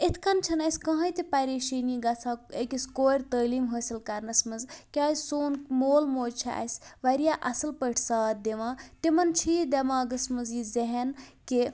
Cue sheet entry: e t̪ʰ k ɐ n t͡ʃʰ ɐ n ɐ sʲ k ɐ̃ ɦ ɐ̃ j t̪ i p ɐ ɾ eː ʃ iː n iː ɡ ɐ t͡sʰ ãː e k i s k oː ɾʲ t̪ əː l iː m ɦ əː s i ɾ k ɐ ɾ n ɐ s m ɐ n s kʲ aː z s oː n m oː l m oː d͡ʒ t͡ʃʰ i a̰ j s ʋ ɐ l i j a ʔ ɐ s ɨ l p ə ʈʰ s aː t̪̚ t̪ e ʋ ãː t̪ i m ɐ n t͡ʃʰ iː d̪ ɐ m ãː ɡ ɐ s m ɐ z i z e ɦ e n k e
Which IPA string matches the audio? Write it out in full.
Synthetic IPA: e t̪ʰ k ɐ n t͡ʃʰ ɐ n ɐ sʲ k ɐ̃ ɦ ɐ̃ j t̪ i p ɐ ɾ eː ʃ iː n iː ɡ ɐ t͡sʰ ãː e k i s k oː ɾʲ t̪ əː l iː m ɦ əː s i l k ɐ ɾ n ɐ s m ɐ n z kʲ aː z s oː n m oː l m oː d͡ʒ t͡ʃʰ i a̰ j s ʋ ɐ ɾ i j a ʔ ɐ s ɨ l p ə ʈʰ s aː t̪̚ d̪ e ʋ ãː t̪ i m ɐ n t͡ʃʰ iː d̪ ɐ m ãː ɡ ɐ s m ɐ z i z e ɦ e n k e